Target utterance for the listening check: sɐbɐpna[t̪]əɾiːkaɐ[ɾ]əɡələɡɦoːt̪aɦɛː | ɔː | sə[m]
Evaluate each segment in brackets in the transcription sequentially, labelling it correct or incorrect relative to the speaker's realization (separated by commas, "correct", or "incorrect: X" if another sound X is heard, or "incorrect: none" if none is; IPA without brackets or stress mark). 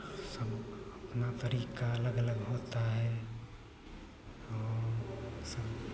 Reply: correct, incorrect: l, incorrect: b